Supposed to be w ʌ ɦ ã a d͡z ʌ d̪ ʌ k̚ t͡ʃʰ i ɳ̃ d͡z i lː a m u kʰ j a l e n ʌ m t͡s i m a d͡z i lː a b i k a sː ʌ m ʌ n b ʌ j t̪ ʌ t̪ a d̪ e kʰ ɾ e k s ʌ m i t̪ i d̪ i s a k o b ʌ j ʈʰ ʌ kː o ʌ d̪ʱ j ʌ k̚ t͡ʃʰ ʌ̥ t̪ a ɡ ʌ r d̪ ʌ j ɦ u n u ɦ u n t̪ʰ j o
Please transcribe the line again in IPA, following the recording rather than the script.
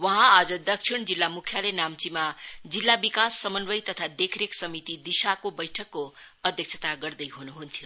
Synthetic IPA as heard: w ʌ ɦ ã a d͡z ʌ d̪ ʌ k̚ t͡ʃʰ i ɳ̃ d͡z i lː a m u kʰ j a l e n a m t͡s i m a d͡z i lː a b i k a sː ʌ m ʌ n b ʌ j t̪ ʌ t̪ʰ a d̪ e kʰ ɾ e k s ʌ m i t̪ i d̪ i s a k o b ʌ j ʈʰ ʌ kː o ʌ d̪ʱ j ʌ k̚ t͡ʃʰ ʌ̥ t̪ a ɡ ʌ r d̪ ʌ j ɦ u n u ɦ u n t̪ʰ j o